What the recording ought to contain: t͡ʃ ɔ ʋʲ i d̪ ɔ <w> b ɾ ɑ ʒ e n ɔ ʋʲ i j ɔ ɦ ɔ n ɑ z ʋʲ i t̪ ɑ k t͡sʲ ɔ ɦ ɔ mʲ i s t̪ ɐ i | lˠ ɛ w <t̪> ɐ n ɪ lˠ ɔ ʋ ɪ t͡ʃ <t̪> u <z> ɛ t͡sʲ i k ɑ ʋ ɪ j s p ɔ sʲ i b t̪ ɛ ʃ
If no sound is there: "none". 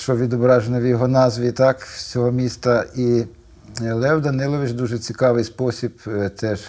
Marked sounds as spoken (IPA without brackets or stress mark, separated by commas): none, d̪, d̪, ʒ